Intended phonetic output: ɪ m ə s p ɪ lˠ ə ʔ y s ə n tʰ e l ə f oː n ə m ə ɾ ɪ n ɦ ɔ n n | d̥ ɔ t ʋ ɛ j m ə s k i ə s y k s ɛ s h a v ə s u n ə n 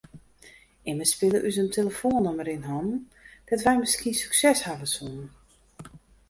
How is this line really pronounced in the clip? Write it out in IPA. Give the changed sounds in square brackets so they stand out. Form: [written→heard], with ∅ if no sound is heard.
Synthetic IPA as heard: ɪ m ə s p ɪ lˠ ə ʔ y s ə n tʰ e l ə f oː n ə m ə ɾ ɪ n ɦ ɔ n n | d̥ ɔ t ʋ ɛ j m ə s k i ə s y k s ɛ s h a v ə s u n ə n